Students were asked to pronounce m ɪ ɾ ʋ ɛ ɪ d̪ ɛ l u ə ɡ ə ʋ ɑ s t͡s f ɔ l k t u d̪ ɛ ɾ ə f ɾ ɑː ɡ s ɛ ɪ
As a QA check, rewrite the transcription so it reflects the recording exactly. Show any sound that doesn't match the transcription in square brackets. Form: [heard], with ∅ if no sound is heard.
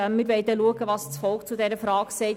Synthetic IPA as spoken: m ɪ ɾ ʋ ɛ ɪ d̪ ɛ l u ə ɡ ə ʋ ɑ s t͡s f ɔ l k [t͡s] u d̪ ɛ ɾ ə f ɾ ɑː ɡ s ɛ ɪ